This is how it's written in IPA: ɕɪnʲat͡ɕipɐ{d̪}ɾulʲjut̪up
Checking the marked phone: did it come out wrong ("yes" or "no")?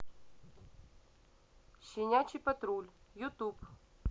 yes